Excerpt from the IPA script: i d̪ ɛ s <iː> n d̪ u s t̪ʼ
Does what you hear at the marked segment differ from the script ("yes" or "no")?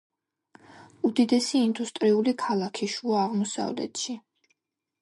no